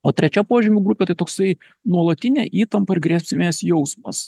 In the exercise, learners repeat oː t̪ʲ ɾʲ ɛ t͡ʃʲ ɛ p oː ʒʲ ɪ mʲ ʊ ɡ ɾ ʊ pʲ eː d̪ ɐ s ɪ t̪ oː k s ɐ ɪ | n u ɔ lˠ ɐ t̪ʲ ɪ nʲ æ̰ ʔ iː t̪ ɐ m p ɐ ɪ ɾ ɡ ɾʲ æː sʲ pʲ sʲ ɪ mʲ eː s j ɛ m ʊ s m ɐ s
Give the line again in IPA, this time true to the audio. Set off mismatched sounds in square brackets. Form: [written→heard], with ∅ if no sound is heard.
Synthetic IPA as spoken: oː t̪ʲ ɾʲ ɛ t͡ʃʲ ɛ p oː ʒʲ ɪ mʲ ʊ ɡ ɾ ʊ pʲ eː [d̪→t̪] ɐ [s→∅] ɪ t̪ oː k s ɐ ɪ | n u ɔ lˠ ɐ t̪ʲ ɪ nʲ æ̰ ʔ iː t̪ ɐ m p ɐ ɪ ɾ ɡ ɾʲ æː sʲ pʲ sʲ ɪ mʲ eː s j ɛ [m→∅] ʊ s m ɐ s